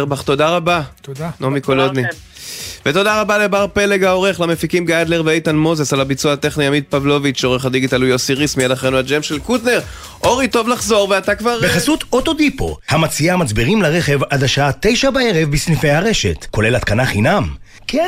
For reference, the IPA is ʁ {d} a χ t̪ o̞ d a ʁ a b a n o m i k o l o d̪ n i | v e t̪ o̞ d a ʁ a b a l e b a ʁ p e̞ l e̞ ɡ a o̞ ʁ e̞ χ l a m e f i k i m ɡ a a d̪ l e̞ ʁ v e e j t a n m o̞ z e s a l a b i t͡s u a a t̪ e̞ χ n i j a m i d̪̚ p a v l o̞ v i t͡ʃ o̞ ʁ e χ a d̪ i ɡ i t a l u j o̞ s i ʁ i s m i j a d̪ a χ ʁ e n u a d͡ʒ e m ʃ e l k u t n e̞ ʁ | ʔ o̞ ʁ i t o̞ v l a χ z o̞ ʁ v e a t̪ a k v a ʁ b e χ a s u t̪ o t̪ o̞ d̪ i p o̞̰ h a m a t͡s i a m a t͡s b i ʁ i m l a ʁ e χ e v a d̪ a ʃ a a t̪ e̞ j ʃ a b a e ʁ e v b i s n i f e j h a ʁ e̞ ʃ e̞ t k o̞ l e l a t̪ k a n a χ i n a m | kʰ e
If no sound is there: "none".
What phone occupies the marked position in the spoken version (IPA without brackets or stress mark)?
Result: b